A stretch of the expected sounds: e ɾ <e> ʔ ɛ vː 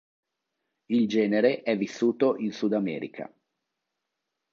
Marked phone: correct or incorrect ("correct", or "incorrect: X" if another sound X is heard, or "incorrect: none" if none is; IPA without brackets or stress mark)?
correct